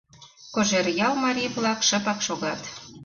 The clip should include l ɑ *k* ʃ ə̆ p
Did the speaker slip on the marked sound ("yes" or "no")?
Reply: no